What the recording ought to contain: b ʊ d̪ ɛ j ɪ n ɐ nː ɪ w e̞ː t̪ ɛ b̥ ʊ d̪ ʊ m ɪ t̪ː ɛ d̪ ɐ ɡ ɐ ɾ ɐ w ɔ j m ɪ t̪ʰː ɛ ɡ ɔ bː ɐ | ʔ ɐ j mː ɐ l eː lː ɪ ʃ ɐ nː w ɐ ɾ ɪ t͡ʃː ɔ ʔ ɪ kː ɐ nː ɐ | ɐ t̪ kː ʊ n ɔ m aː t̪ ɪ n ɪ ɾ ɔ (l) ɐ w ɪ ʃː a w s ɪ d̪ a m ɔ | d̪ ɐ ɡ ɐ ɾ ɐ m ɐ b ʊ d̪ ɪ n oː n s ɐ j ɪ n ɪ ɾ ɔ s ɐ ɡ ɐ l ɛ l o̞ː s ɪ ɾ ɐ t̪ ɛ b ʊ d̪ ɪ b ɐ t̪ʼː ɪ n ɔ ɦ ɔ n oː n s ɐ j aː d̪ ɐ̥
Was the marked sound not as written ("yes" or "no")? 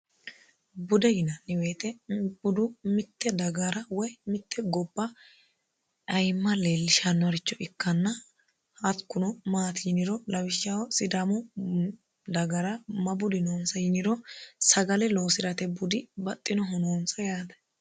no